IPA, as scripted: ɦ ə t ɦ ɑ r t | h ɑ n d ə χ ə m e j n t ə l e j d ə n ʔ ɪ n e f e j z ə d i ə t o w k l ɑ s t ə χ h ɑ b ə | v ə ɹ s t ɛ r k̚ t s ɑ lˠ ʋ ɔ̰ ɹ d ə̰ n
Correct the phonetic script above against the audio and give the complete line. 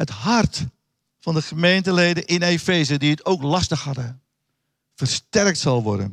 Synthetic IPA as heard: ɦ ə t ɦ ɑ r t | f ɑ n d ə χ ə m e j n t ə l e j d ə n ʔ ɪ n e f e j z ə d i ə t o w k l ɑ s t ə χ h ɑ d ə | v ə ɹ s t ɛ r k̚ t s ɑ lˠ ʋ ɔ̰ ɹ d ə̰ n